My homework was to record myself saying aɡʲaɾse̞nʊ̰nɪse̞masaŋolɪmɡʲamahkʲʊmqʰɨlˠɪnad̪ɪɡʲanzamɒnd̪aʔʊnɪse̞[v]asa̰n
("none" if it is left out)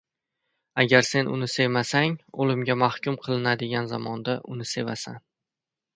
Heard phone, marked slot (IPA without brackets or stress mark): v